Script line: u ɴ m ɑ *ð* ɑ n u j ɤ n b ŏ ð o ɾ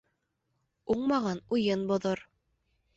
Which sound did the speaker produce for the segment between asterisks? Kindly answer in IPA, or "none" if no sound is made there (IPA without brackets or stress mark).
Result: ʁ